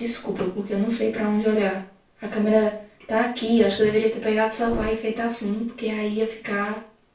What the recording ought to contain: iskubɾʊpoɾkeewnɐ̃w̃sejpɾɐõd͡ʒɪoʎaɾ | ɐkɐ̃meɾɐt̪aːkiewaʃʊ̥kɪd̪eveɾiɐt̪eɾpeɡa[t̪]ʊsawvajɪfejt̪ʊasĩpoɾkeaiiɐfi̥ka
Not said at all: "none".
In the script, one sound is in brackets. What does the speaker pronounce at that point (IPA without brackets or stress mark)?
d̪